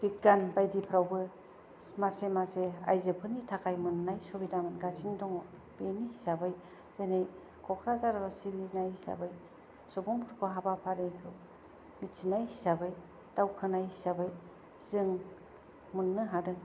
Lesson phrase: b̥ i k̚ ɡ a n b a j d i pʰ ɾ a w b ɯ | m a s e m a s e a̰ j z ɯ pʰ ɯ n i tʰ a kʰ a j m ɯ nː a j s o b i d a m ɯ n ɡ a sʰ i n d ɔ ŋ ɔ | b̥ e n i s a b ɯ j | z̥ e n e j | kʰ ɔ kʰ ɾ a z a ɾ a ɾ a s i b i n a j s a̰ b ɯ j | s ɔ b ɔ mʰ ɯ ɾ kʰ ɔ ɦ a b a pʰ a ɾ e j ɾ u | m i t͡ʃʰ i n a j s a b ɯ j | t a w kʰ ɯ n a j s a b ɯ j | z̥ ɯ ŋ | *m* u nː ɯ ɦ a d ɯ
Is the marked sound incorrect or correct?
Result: correct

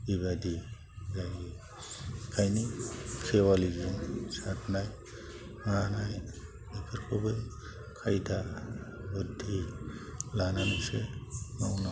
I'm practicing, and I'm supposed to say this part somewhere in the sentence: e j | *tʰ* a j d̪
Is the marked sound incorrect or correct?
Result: incorrect: kʰ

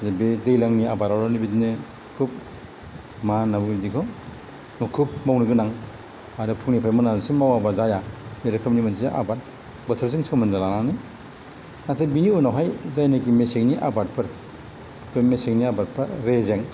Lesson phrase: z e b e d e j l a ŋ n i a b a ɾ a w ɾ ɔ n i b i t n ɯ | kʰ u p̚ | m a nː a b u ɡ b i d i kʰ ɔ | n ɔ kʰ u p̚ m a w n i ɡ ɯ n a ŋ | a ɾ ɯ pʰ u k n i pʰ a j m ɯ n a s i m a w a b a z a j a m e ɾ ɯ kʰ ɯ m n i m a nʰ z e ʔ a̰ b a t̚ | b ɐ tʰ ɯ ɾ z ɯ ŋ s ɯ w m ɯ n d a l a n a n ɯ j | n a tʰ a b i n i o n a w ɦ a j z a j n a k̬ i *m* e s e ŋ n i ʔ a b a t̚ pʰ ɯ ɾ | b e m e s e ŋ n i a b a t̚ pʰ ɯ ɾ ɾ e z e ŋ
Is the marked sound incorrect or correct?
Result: correct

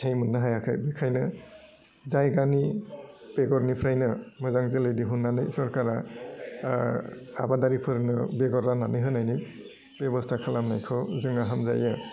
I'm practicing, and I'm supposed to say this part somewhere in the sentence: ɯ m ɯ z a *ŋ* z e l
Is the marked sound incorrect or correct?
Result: correct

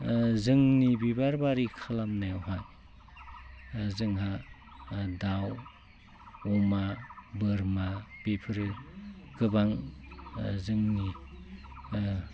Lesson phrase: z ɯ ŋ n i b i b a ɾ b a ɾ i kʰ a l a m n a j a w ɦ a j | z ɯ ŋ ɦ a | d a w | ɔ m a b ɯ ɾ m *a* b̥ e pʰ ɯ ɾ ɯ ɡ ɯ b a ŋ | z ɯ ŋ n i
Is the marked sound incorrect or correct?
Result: correct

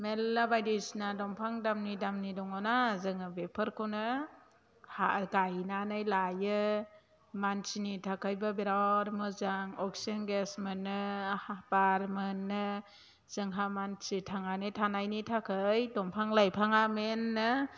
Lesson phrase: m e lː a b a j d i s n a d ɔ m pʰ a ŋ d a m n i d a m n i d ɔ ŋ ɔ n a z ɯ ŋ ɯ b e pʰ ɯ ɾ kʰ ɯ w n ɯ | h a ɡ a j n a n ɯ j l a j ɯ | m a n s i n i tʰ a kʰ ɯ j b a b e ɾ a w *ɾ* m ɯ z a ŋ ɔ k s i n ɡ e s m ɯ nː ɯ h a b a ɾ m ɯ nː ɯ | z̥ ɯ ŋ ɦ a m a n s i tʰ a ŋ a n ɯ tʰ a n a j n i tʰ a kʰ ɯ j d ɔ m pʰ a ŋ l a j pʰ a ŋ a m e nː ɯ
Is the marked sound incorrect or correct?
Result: correct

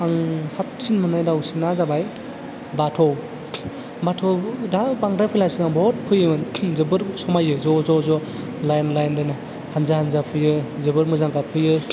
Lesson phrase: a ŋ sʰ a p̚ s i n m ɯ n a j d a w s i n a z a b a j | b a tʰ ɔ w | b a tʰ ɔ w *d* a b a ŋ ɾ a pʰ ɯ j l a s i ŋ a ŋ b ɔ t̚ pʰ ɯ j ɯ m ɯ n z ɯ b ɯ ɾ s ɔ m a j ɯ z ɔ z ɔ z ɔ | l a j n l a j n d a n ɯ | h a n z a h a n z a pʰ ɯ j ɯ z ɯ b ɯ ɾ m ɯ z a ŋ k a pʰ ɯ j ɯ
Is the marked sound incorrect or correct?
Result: correct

